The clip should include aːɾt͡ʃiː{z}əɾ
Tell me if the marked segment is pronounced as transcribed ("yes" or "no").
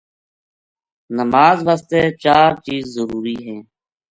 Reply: no